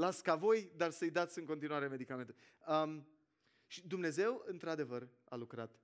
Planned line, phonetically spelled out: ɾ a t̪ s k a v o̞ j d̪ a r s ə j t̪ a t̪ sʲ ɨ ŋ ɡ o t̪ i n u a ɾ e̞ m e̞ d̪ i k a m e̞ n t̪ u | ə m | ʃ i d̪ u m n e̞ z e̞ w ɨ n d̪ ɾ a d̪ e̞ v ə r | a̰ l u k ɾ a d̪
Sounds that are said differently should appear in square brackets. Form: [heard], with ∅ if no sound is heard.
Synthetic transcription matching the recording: [l] a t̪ s k a v o̞ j d̪ a r s ə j [d̪] a t̪ sʲ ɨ ŋ [k] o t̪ i n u a ɾ e̞ m e̞ d̪ i k a m e̞ n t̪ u | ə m | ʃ i d̪ u m n e̞ z e̞ w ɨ n [t̪] ɾ a d̪ e̞ v ə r | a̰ l u k ɾ a [t̪]